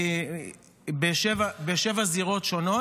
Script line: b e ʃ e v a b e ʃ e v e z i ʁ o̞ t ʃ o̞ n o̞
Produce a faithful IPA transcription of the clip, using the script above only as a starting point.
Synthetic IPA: b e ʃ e v a b e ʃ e v a z i ʁ o̞ t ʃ o̞ n o̞